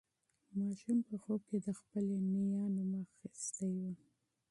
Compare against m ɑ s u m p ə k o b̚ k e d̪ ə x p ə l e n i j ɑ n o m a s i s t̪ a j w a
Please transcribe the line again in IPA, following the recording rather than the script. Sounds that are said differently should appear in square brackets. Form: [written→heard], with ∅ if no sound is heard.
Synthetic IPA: m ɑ [s→ʃ] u m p ə [k→x] o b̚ k e d̪ ə x p ə l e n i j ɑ n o m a [s→x] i s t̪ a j w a